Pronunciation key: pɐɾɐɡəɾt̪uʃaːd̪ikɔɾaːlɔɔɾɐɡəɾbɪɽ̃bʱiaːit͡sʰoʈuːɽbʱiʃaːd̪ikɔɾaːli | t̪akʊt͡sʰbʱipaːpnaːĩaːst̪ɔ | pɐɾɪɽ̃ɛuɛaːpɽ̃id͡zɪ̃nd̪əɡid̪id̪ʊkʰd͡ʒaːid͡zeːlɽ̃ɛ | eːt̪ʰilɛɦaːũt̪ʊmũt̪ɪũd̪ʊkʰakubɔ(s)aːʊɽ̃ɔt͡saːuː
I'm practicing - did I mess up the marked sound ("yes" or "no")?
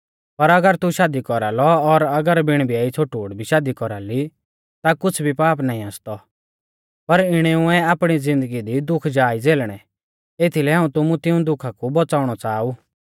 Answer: yes